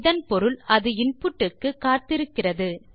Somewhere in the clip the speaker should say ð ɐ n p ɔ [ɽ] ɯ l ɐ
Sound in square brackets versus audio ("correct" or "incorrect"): incorrect